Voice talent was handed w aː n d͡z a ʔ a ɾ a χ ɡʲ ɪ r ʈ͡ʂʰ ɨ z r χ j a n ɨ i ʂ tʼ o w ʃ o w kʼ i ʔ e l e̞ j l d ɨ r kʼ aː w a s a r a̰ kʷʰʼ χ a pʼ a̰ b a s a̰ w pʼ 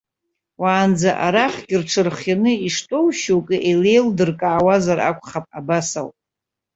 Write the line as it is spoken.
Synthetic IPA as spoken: w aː n d͡z a ʔ a ɾ a χ ɡʲ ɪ r ʈ͡ʂʰ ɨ r χ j a n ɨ i ʂ tʼ o w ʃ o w kʼ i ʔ e l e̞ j l d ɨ r kʼ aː w a z a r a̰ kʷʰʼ χ a pʼ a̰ b a s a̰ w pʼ